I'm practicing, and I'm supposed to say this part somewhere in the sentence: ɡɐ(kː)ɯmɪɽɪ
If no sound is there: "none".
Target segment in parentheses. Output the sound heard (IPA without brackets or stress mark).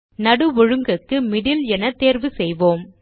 kː